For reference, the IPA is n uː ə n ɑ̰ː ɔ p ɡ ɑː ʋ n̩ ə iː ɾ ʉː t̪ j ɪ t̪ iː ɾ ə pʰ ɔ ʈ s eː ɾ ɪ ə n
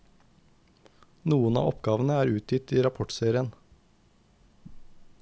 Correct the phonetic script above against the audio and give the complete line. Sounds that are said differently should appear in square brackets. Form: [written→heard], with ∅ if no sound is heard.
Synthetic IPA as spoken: n uː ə n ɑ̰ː ɔ p ɡ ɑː ʋ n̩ ə [iː→æː] ɾ ʉː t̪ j ɪ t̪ iː ɾ [ə→ɑ] pʰ ɔ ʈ s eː ɾ ɪ ə n

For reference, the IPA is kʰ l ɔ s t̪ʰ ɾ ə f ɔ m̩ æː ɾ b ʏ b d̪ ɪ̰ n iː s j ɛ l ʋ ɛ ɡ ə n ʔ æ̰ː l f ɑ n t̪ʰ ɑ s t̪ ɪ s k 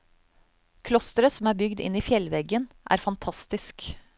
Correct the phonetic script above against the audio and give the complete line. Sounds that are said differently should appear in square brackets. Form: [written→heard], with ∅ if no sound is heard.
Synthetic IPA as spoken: kʰ l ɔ s [t̪ʰ→t̪] ɾ ə [f→s] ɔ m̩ æː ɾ b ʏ [b→ɡ] d̪ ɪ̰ n iː [s→f] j ɛ l ʋ ɛ ɡ ə n ʔ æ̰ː [l→ɾ] f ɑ n t̪ʰ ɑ s t̪ ɪ s k

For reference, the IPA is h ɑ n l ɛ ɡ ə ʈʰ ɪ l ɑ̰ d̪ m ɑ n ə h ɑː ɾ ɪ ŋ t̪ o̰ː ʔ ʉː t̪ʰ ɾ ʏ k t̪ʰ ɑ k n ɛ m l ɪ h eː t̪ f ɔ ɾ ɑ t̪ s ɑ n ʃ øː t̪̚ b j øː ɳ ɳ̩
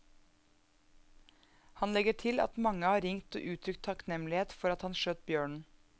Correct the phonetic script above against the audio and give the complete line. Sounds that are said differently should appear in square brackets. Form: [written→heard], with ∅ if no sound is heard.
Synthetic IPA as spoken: h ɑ n l ɛ ɡ ə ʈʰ ɪ l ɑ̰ [d̪→t̪] m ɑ [n→ŋ] ə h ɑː ɾ ɪ ŋ t̪ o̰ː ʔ ʉː t̪ʰ ɾ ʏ k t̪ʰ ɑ k n ɛ m l ɪ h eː t̪ f ɔ ɾ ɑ t̪ [s→h] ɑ n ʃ øː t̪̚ b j øː ɳ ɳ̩

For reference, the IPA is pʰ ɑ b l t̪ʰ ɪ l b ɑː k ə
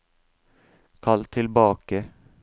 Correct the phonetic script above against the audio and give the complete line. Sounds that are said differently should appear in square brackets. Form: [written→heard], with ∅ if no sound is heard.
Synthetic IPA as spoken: [pʰ→kʰ] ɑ [b→∅] l t̪ʰ ɪ l b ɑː k ə

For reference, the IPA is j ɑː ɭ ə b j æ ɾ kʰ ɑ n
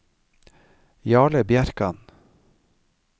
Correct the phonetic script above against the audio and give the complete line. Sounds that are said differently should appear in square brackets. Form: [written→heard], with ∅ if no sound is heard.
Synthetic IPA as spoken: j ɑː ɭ ə b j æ ɾ [kʰ→k] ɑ n

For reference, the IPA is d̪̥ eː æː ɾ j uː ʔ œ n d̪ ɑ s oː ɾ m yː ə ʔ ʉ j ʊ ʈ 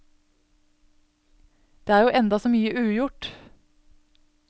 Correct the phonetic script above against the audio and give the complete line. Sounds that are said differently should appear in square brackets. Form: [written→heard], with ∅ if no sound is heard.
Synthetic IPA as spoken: d̪̥ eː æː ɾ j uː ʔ [œ→ɛ] n d̪ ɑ s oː [ɾ→∅] m yː ə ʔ [ʉ→ʉː] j ʊ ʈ

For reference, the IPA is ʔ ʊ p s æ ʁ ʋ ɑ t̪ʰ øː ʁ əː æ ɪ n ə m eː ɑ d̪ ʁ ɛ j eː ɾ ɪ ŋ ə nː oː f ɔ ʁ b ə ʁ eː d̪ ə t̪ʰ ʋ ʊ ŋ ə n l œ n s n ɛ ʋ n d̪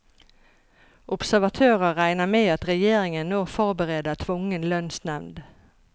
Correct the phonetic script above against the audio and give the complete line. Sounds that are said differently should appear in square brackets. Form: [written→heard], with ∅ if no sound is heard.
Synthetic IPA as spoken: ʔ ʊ p s æ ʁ ʋ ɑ t̪ʰ øː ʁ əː æ ɪ n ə m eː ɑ [d̪→t̪] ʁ ɛ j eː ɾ ɪ ŋ ə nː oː f ɔ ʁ b ə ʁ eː d̪ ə t̪ʰ ʋ ʊ ŋ ə n l œ n s n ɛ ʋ n d̪

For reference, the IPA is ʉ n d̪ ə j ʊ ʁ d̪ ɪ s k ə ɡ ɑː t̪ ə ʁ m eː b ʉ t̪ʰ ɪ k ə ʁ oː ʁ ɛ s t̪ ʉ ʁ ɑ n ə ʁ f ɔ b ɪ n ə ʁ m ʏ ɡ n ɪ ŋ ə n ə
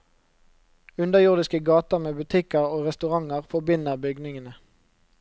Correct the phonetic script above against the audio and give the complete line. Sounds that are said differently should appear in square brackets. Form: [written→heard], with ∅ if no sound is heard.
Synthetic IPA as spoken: ʉ n d̪ ə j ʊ ʁ d̪ ɪ s k ə ɡ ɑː t̪ ə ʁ m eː b ʉ t̪ʰ ɪ k ə ʁ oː ʁ ɛ s t̪ ʉ ʁ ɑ [n→ŋ] ə ʁ f ɔ b ɪ n ə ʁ [m→b] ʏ ɡ n ɪ ŋ ə n ə

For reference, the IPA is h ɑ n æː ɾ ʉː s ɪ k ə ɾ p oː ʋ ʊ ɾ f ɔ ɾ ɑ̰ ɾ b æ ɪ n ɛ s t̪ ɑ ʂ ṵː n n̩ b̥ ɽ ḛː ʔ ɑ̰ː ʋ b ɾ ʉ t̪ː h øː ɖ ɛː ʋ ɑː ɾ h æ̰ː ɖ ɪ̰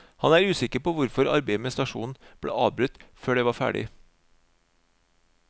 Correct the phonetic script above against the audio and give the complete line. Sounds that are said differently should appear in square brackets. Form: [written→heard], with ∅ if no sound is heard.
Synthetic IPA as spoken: h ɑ n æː ɾ ʉː s ɪ k ə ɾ p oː ʋ ʊ ɾ f ɔ ɾ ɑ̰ ɾ b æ ɪ [n→m] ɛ s t̪ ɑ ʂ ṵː n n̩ b̥ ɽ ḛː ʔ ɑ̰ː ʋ b ɾ ʉ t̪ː [h→f] øː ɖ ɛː ʋ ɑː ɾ [h→f] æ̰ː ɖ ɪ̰

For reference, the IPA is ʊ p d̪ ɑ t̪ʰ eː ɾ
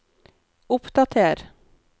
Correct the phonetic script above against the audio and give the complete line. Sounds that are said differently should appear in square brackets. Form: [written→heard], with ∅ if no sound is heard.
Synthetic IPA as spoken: ʊ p d̪ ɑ t̪ʰ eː ɾ

